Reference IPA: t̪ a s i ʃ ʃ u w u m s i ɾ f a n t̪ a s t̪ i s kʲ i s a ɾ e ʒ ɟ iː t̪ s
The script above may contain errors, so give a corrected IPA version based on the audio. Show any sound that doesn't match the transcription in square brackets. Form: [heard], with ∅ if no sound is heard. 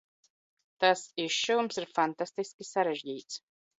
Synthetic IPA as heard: t̪ a s i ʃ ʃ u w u m s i ɾ f a n t̪ a s t̪ i s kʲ i s a ɾ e ʒ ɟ iː t̪ s